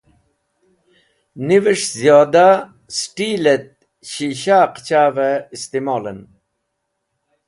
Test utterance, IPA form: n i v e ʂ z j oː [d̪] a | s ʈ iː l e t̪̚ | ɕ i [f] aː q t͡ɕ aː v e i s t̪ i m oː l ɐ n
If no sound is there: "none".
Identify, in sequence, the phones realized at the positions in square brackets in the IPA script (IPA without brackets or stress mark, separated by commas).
d̪, ɕ